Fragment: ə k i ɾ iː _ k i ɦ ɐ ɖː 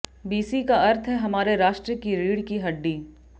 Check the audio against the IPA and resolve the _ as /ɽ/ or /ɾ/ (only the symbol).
ɽ